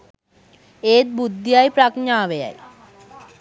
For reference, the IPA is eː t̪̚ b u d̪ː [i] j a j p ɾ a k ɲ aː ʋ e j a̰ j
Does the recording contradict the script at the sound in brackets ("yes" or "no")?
no